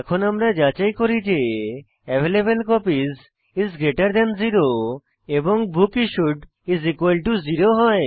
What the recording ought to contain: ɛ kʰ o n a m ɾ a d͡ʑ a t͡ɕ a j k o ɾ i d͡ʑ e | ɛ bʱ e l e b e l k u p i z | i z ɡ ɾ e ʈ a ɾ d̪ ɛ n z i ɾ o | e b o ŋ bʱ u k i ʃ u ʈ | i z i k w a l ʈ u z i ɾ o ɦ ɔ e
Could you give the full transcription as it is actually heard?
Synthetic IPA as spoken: ɛ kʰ o n a m ɾ a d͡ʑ a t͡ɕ a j k o ɾ i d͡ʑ e | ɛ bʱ e l e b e l k ɔ p i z | i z ɡ ɾ e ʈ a ɾ d̪ ɛ n z i ɾ o | e b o ŋ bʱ u k i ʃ u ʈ | i z i k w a l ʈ u z i ɾ o ɦ ɔ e